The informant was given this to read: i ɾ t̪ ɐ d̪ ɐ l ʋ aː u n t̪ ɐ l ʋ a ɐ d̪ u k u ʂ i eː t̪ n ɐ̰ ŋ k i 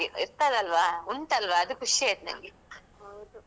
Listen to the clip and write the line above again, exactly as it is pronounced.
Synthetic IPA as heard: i ɾ t̪ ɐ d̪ ɐ l ʋ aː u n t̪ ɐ l ʋ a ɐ d̪ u k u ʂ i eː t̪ n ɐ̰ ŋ ɡ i